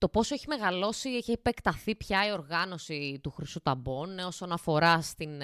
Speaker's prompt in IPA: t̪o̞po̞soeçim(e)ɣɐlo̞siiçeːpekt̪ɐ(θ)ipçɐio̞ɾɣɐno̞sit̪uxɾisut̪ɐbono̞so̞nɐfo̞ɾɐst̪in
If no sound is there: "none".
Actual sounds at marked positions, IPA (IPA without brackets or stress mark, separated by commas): e, θ